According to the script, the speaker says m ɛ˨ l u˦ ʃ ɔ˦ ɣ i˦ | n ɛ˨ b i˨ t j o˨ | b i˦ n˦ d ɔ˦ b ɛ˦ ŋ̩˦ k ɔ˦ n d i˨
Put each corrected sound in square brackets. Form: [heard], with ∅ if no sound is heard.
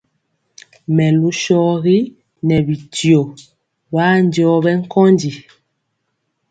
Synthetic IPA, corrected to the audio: m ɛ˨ l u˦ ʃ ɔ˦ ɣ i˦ | n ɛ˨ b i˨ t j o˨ | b [a˦] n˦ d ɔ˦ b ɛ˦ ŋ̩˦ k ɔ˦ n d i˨